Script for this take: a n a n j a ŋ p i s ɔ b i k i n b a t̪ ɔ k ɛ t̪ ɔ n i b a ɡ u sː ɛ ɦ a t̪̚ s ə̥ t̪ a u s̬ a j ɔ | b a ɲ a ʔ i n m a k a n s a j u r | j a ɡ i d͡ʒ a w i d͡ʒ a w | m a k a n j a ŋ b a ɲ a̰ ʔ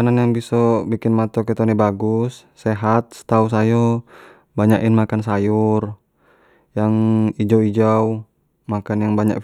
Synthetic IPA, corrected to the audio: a n a n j a ŋ b i s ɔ b i k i n m a t̪ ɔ k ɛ t̪ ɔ n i b a ɡ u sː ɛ ɦ a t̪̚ s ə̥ t̪ a u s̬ a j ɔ | b a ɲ a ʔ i n m a k a n s a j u r | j a ŋ i d͡ʒ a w i d͡ʒ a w | m a k a n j a ŋ b a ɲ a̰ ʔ